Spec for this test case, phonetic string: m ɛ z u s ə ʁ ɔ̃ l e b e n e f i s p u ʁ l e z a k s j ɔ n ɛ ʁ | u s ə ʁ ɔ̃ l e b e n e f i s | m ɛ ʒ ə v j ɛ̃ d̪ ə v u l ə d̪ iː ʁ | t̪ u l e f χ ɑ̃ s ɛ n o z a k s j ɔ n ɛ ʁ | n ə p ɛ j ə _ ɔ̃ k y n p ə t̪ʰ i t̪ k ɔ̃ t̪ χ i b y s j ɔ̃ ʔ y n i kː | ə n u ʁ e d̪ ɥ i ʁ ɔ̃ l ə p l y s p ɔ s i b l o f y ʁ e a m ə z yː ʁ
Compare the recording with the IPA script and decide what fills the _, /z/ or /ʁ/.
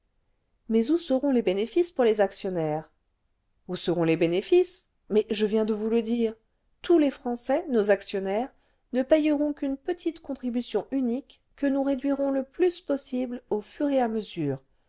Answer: ʁ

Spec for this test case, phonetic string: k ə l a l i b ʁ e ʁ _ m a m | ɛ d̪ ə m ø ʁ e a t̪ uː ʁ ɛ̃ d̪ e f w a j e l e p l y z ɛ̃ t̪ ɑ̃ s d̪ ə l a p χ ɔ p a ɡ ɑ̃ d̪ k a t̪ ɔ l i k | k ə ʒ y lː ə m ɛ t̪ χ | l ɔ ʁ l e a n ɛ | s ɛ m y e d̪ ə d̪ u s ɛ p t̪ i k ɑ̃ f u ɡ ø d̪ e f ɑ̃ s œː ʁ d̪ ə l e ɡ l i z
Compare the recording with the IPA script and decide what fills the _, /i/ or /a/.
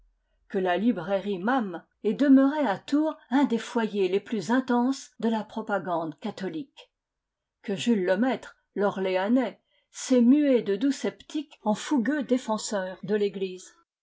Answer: i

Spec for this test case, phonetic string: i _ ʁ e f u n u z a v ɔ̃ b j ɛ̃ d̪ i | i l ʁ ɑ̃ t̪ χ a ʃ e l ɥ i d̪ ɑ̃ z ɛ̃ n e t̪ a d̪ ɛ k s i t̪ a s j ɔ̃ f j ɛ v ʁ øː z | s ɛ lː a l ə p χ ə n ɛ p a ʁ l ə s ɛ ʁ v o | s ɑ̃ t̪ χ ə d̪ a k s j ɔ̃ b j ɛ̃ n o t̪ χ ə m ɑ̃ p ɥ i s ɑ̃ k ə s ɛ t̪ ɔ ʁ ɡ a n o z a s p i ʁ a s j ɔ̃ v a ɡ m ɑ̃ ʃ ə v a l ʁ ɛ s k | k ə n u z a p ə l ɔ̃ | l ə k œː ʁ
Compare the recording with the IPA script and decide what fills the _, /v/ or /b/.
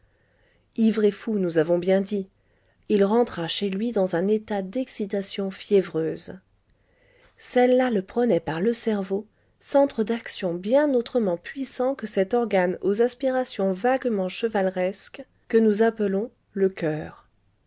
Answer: v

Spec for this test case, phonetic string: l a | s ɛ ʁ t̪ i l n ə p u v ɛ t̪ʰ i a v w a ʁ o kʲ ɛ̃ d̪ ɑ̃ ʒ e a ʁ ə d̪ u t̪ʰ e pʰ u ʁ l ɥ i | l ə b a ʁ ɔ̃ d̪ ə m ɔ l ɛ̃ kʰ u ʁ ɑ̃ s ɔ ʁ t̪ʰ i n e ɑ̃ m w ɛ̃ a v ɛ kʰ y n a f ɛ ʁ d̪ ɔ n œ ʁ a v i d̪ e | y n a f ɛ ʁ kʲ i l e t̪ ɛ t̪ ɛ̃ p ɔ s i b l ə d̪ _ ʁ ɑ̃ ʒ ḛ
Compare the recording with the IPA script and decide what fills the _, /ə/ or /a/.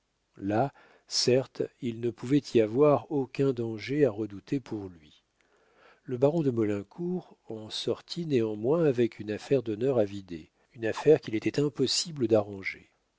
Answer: a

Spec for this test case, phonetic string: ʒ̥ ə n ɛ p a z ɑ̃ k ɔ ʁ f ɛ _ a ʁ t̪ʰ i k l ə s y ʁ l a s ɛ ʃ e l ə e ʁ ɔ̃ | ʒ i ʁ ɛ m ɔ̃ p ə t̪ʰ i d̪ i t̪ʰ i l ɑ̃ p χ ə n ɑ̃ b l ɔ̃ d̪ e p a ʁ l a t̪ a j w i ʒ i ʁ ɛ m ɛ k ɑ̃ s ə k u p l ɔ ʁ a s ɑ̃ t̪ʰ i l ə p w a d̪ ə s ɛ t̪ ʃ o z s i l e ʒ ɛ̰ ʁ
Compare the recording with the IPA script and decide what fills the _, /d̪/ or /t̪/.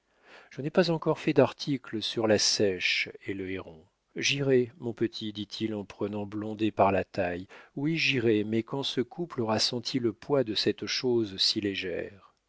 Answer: d̪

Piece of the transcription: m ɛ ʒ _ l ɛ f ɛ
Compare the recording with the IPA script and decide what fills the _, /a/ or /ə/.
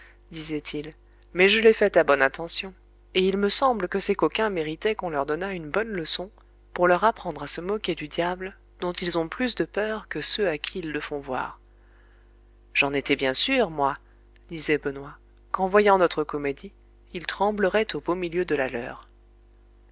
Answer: ə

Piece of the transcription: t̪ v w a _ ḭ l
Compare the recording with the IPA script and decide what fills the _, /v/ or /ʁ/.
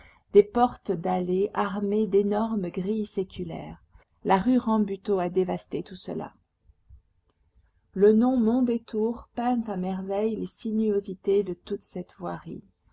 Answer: ʁ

